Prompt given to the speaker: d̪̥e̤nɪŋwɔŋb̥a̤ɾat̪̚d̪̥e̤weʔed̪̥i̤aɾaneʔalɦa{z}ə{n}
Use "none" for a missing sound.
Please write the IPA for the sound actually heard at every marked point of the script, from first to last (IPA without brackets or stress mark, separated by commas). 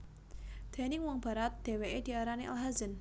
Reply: z, n